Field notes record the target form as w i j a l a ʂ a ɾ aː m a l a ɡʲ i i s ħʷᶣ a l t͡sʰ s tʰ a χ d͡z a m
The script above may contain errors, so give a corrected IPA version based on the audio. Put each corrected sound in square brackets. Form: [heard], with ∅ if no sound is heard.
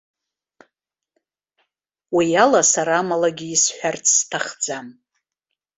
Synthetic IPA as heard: w i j a l a [s] a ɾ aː m a l a ɡʲ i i s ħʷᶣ a [r] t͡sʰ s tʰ a χ d͡z a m